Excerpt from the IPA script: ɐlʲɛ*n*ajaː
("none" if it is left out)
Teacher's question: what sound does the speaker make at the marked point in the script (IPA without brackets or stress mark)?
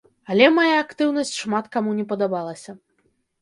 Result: m